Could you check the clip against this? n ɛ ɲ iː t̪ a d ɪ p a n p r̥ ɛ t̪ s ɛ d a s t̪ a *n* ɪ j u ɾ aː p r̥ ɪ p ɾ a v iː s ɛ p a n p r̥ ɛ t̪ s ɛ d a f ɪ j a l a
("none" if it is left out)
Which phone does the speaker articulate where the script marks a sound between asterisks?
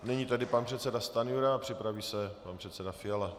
n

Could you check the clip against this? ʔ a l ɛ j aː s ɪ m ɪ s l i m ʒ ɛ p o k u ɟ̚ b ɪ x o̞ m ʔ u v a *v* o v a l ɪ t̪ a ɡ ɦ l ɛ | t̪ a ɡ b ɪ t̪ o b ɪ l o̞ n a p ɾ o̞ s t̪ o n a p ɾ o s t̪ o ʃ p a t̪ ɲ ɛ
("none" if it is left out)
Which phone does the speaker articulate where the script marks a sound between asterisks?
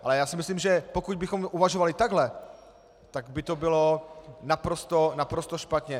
ʒ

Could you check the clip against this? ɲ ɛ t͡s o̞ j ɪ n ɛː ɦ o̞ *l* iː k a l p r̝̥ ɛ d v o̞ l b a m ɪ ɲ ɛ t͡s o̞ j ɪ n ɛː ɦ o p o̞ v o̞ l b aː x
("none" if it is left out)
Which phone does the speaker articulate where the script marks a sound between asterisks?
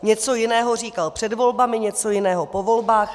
r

